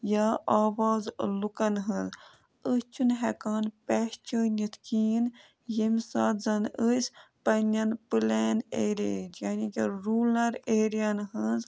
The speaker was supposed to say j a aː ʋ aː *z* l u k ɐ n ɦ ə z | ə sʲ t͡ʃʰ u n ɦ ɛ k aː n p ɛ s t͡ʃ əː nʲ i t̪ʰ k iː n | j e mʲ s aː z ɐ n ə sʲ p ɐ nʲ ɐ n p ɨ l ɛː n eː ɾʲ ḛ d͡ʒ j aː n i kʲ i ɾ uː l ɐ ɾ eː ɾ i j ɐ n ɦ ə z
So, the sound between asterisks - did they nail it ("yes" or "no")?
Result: yes